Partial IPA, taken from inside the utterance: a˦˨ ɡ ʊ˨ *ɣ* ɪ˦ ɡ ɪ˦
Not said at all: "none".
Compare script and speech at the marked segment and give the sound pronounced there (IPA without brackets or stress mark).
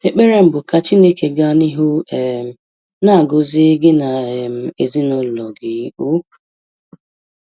z